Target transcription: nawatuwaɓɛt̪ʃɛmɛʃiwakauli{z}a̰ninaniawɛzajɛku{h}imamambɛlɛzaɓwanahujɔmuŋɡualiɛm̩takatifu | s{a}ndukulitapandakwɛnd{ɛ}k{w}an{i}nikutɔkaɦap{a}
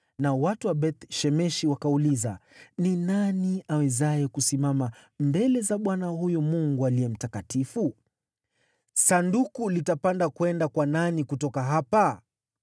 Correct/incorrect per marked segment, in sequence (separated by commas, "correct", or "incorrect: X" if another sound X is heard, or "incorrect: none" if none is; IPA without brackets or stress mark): correct, incorrect: s, correct, incorrect: a, correct, incorrect: a, correct